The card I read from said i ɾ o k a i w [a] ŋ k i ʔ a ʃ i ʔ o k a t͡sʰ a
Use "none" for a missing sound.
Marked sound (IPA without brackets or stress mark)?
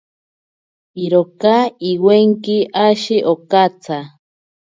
e